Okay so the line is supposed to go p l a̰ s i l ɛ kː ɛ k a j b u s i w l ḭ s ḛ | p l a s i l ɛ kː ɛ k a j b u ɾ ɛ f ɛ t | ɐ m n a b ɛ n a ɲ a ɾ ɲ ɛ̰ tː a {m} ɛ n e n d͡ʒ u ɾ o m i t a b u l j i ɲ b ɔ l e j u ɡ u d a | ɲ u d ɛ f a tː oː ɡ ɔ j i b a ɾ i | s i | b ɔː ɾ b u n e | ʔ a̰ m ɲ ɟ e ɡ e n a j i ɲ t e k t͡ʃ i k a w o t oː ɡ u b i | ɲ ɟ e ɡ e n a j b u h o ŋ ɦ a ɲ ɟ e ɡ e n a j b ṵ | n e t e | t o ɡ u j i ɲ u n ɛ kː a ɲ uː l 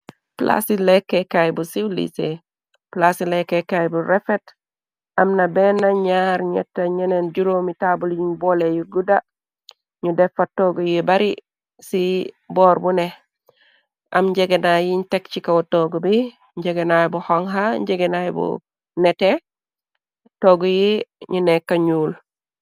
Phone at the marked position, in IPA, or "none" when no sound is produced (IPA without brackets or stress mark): ɲ